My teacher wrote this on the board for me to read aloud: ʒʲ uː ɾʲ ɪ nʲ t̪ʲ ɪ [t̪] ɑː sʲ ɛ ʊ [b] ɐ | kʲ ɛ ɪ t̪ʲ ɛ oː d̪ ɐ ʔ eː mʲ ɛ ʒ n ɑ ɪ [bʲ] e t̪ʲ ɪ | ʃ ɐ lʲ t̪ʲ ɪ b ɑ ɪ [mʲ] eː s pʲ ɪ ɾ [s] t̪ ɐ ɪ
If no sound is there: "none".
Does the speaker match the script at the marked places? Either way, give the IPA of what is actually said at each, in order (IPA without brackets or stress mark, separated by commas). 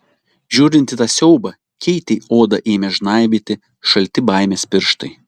t̪, b, bʲ, mʲ, ʃ